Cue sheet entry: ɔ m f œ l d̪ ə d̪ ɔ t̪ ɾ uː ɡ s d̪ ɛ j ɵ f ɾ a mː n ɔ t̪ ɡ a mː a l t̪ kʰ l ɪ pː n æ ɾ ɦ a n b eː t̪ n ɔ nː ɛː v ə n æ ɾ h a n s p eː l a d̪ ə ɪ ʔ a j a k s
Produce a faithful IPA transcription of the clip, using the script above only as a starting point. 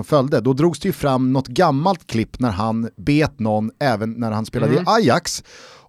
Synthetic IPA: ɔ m f œ l d̪ ə d̪ ɔ d̪ ɾ uː ɡ s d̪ ɛ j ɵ f ɾ a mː n ɔ t̪ ɡ a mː a l t̪ kʰ l ɪ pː n æ ɾ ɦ a n b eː t̪ n ɔ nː ɛː v ə nː æ ɾ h a n s p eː l a d̪ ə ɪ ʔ a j a k s